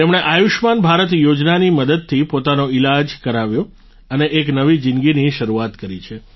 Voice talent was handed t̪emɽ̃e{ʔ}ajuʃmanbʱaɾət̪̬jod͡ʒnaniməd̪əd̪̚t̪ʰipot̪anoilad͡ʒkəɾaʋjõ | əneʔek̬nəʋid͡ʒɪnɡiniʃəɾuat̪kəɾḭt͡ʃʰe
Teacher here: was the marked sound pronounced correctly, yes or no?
yes